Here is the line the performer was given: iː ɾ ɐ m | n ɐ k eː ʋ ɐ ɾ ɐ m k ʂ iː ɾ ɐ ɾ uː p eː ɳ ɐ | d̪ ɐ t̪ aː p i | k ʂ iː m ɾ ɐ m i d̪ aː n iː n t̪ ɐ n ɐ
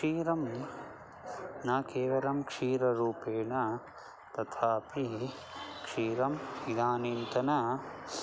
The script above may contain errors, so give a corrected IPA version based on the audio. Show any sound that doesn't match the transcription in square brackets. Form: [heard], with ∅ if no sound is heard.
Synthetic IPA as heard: iː ɾ ɐ m | n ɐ k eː ʋ ɐ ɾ ɐ m k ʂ iː ɾ ɐ ɾ uː p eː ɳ ɐ | [t̪] ɐ [t̪ʰ] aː p i | k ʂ iː [∅] ɾ ɐ m i d̪ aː n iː n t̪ ɐ n ɐ